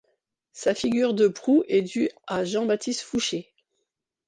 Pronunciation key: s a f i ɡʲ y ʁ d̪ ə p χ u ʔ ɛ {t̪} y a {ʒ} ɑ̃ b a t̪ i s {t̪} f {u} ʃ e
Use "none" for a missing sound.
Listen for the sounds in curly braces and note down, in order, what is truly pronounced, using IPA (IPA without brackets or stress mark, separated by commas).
d̪, ʒ, t̪, u